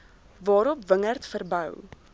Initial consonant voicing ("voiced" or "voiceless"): voiced